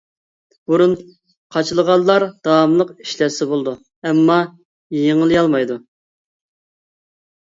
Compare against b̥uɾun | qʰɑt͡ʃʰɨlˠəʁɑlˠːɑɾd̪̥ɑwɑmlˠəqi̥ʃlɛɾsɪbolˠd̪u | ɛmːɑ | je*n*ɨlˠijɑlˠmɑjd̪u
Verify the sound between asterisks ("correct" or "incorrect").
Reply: incorrect